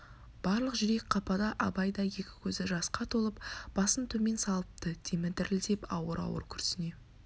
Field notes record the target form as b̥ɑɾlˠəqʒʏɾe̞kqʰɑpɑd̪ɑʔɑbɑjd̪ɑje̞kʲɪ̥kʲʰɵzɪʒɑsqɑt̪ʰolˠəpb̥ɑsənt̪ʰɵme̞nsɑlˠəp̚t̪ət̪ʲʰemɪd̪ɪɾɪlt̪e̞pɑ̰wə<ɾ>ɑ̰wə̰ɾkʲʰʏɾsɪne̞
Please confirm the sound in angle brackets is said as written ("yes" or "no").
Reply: yes